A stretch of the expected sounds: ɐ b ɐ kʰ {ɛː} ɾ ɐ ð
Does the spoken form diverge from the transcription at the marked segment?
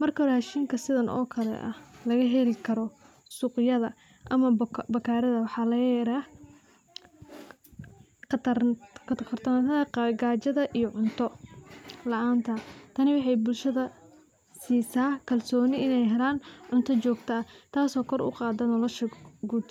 yes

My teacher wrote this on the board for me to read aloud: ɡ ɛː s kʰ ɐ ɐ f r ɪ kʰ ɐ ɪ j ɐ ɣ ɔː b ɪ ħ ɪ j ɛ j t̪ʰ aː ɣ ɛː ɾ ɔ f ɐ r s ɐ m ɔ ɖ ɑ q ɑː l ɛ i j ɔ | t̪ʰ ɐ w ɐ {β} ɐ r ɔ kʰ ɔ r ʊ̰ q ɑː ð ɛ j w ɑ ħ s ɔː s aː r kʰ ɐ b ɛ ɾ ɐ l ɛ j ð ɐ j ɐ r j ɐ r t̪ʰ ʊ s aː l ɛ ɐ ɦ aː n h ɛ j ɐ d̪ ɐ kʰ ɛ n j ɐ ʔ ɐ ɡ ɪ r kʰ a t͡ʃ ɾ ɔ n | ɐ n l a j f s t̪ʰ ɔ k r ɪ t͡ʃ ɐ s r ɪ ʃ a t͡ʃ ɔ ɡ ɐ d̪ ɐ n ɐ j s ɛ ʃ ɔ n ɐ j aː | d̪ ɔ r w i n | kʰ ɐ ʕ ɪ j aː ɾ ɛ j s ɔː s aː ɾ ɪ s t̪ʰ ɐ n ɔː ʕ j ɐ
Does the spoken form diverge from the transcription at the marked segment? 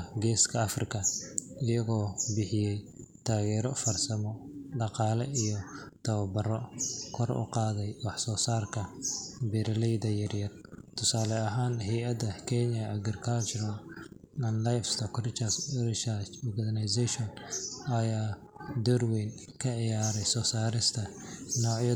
yes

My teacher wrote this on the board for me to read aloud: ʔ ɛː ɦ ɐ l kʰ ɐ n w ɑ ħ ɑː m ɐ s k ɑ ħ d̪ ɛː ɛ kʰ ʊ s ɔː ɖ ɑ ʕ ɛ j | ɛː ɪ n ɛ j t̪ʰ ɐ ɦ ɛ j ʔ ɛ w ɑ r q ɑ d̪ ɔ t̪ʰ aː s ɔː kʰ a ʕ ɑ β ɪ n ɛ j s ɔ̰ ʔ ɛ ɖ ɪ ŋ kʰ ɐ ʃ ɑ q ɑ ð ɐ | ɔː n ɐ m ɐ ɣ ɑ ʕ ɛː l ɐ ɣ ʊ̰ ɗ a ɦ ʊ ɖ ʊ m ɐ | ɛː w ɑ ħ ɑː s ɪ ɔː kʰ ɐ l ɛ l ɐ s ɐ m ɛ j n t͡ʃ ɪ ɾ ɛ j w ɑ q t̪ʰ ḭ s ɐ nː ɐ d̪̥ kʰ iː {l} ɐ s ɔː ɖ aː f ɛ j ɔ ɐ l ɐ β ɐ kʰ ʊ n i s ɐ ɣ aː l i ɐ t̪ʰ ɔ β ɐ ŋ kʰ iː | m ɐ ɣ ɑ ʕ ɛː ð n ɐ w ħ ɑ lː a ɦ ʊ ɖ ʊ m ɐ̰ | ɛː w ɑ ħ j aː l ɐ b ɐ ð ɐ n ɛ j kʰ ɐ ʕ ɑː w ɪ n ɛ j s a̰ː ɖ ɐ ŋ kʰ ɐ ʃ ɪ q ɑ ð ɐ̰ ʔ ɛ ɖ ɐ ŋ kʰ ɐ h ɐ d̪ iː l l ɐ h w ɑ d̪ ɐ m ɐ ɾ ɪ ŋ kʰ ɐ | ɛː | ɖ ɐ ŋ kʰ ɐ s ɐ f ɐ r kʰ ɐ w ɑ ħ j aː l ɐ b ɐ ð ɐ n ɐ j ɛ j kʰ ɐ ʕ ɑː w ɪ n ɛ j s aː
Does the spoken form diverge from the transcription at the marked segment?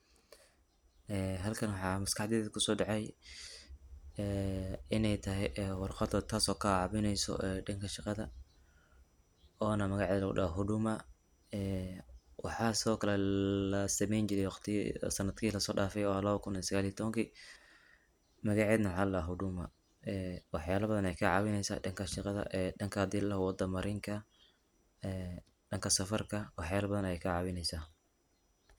no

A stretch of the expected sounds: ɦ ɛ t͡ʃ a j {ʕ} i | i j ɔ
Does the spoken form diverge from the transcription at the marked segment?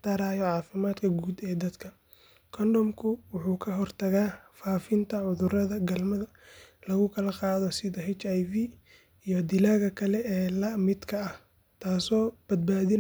yes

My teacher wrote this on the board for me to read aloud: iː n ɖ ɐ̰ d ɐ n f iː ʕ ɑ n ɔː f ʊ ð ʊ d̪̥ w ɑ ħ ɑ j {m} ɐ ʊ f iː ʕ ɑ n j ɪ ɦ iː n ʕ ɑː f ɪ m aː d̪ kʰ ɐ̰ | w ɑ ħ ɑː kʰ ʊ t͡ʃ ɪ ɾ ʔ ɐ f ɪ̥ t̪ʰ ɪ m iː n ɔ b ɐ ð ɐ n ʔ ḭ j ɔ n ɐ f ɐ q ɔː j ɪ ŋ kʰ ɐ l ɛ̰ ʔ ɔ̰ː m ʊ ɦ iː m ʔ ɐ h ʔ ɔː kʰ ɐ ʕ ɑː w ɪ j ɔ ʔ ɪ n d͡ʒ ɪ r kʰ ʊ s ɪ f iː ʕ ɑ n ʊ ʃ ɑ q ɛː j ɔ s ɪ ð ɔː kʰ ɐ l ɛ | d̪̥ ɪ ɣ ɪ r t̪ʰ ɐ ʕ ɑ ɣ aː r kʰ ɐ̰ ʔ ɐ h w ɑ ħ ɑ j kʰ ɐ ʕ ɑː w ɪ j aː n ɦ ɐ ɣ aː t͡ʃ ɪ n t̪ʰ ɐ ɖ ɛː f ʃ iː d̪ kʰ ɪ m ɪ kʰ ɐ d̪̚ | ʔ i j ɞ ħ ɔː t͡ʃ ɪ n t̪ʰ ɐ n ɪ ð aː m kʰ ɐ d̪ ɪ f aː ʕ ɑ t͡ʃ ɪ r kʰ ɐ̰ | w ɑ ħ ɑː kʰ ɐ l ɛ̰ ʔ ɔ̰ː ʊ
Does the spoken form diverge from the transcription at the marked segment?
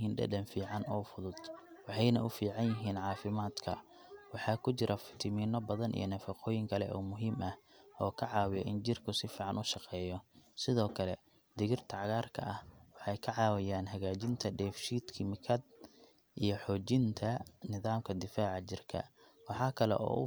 yes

